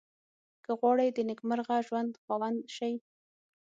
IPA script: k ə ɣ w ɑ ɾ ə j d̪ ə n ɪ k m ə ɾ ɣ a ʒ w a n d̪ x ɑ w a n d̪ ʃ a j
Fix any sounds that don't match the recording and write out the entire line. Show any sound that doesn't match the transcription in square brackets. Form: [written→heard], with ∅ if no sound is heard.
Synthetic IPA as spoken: k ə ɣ w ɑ [ɾ→ɽ] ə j d̪ ə n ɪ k m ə ɾ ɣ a ʒ w a n d̪ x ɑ w a n d̪ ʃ a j